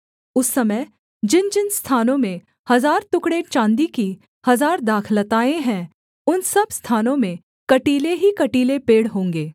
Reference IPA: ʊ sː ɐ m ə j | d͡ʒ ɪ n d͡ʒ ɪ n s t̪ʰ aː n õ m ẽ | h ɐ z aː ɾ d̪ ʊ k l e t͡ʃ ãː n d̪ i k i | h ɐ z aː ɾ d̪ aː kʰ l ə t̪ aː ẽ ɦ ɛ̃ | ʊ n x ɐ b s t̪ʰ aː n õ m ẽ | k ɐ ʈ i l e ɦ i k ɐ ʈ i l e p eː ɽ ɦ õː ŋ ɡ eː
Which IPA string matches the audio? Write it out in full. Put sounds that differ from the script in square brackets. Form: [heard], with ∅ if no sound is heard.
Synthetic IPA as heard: ʊ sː ɐ m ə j | d͡ʒ ɪ n d͡ʒ ɪ n s t̪ʰ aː n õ m ẽ | h ɐ z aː ɾ [t̪] ʊ k [ɽ] e t͡ʃ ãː n d̪ i k i | h ɐ z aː ɾ d̪ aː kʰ l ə t̪ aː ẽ ɦ ɛ̃ | ʊ n [s] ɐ b s t̪ʰ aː n õ m ẽ | k ɐ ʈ [iː] l e ɦ i k ɐ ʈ [iː] l e p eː ɽ ɦ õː ŋ ɡ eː

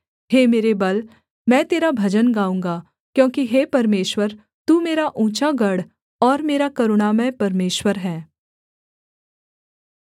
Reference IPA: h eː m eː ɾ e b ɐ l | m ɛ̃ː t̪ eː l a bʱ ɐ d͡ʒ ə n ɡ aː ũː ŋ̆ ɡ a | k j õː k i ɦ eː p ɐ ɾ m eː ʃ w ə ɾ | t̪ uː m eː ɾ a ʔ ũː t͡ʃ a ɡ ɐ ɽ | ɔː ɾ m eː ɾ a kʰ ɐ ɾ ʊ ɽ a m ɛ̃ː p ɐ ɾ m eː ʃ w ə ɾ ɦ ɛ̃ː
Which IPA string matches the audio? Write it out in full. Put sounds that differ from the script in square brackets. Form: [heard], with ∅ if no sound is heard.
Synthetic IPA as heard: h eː m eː ɾ e b ɐ l | m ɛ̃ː t̪ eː [ɾ] a bʱ ɐ d͡ʒ ə n ɡ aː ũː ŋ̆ ɡ a | k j õː k i ɦ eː p ɐ ɾ m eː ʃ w ə ɾ | t̪ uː m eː ɾ a ʔ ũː t͡ʃ a ɡ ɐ ɽ | ɔː ɾ m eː ɾ a [k] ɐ ɾ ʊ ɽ a m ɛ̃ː p ɐ ɾ m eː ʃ w ə ɾ ɦ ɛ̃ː

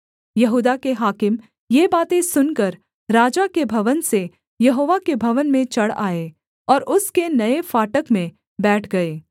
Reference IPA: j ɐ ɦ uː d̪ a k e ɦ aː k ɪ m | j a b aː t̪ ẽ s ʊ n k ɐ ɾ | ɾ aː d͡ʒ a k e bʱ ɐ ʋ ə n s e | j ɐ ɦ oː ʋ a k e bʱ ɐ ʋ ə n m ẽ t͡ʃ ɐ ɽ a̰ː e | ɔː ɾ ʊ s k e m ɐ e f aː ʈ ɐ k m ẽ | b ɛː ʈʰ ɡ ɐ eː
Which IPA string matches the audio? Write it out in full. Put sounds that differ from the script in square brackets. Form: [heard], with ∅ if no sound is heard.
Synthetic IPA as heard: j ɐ ɦ uː d̪ a k e ɦ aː k ɪ m | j [e] b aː t̪ ẽ s ʊ n k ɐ ɾ | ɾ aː d͡ʒ a k e bʱ ɐ ʋ ə n s e | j ɐ ɦ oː ʋ a k e bʱ ɐ ʋ ə n m ẽ t͡ʃ ɐ ɽ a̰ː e | ɔː ɾ ʊ s k e [n] ɐ e f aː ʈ [ə] k m ẽ | b ɛː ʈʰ ɡ ɐ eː

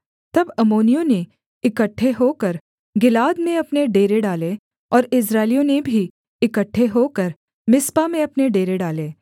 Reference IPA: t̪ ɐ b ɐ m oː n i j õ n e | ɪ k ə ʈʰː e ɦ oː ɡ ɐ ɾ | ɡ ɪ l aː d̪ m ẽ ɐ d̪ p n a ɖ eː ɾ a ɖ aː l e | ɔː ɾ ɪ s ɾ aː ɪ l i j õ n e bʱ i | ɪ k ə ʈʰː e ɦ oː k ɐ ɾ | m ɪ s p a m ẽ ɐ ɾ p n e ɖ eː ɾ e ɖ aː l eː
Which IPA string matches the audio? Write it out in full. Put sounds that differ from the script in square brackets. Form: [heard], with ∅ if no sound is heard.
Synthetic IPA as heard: t̪ ɐ b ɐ m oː n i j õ n e | ɪ k ə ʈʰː e ɦ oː [k] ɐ ɾ | ɡ ɪ l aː d̪ m ẽ ɐ [∅] p n [e] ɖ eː ɾ [e] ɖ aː l e | ɔː ɾ ɪ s ɾ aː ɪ l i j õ n e bʱ i | ɪ k ə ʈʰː e ɦ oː k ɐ ɾ | m ɪ s p a m ẽ ɐ [∅] p n e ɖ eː ɾ e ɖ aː l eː

